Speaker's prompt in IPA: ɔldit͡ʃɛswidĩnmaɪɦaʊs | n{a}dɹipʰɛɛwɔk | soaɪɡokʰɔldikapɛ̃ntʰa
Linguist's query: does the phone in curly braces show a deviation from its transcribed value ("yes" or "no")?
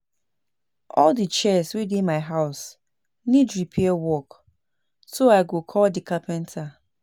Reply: yes